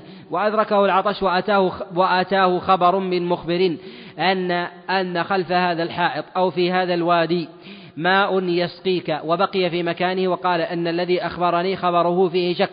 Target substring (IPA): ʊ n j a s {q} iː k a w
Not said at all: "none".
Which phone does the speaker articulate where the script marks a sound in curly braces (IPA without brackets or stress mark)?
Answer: q